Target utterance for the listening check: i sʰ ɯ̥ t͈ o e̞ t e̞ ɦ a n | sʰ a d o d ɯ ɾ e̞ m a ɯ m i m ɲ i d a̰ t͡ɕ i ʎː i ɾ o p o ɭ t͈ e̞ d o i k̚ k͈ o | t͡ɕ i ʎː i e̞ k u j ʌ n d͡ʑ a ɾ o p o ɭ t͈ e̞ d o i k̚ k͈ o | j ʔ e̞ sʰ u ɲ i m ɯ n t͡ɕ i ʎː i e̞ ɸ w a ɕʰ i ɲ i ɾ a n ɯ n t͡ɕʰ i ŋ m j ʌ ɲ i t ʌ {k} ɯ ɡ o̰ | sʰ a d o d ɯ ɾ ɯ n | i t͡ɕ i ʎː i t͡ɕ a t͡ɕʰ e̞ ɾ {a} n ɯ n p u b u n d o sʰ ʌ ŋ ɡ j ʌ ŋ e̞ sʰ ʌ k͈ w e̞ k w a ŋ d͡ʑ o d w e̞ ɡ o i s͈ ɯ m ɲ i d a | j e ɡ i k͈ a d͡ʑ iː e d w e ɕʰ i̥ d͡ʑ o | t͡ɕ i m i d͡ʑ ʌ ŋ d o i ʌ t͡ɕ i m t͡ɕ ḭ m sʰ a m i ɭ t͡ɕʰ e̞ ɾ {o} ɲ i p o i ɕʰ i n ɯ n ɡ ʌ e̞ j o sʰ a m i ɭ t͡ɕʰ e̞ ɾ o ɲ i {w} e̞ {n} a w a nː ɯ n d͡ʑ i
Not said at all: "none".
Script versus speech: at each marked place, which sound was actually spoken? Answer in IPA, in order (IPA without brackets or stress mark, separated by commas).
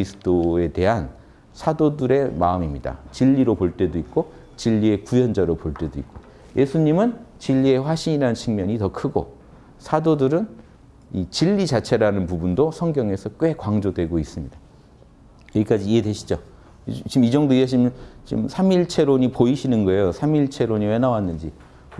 kʰ, a, o, w, n